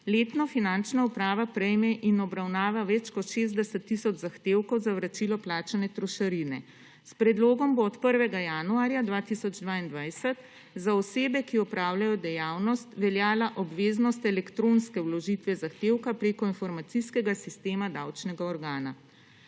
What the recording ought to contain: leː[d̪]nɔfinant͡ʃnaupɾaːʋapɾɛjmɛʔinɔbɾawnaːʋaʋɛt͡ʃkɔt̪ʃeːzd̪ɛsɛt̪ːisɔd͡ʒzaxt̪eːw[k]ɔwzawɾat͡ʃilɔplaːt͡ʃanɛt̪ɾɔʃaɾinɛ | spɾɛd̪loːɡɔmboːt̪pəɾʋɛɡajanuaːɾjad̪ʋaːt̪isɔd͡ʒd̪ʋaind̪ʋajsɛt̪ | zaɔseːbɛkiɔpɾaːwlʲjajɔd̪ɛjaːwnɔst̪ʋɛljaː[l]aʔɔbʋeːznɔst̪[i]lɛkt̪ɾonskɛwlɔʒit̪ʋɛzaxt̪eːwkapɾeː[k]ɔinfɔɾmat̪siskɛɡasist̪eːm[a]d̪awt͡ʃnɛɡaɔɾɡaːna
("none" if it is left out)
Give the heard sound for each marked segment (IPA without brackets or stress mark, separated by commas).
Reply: t̪, k, l, ɛ, k, a